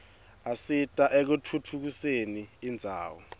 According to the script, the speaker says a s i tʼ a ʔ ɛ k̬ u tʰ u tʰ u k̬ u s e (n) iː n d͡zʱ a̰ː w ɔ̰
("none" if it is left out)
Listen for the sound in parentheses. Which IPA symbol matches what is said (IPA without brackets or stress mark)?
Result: n